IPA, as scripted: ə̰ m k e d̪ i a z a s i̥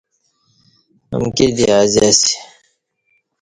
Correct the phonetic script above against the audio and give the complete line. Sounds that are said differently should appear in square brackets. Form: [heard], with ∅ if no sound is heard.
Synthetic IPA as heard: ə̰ m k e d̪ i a z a s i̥